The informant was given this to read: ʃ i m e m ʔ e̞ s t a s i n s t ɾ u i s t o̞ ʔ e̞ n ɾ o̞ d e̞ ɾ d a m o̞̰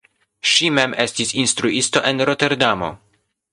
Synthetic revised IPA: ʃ i m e m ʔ e̞ s t i s i n s t ɾ u i s t o̞ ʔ e̞ n ɾ o̞ t e̞ ɾ d a m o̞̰